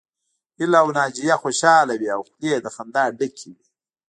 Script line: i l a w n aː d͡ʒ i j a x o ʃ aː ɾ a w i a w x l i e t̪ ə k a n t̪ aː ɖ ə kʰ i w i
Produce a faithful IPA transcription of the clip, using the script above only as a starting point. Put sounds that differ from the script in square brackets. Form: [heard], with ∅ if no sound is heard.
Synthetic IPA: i l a w n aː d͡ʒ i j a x o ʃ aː [l] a w i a w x l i e [d̪] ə [x] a n [d̪] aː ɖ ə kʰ i w i